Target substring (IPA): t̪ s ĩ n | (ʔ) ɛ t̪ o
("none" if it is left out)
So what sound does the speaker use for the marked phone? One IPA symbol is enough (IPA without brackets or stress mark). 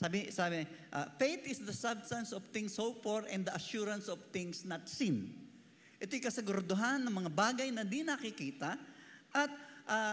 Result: ʔ